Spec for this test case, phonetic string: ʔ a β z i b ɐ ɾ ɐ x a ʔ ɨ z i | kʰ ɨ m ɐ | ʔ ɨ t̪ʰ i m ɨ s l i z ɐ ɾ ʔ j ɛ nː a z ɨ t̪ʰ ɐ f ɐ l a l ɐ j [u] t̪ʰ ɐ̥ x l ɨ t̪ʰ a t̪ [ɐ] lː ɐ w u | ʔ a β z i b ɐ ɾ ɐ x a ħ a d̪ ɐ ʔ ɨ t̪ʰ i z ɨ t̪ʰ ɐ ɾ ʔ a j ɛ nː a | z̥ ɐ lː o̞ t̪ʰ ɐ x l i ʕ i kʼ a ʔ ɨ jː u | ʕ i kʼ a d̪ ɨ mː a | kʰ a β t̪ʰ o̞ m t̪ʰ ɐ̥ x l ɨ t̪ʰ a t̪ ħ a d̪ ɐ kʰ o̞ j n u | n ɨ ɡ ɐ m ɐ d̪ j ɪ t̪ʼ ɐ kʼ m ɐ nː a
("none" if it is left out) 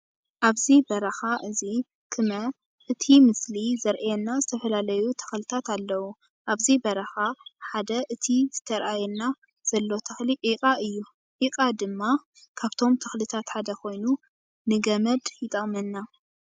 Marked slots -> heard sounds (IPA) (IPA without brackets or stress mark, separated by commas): u, a